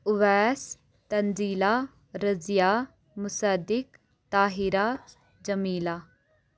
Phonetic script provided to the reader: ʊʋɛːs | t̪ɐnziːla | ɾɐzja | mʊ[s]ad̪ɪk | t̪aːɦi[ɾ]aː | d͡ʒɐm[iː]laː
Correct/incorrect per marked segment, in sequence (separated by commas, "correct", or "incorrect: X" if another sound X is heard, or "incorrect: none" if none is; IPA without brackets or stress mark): correct, correct, correct